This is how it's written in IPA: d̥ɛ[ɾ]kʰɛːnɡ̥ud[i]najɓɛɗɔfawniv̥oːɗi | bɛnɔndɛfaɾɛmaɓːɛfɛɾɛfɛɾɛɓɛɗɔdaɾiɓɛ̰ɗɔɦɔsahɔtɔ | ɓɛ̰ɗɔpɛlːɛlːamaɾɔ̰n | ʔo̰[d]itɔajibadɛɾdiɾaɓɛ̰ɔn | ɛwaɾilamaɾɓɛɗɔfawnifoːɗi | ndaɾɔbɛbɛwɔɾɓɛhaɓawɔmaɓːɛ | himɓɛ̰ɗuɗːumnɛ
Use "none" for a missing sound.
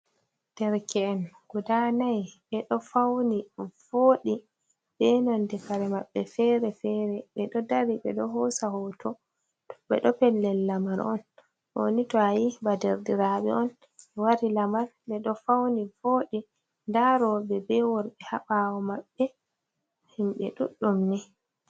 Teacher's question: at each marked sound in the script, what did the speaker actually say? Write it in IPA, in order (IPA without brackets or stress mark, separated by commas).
ɾ, a, n